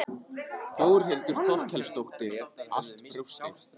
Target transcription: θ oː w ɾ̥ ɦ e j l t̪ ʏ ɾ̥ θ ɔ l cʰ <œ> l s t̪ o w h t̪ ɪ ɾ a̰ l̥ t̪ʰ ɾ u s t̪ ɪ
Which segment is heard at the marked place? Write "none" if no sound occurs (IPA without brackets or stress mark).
ɛ